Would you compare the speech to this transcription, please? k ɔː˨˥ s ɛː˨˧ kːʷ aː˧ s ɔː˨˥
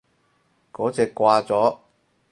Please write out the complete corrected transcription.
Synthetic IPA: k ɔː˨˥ t͡s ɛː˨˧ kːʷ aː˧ t͡s ɔː˨˥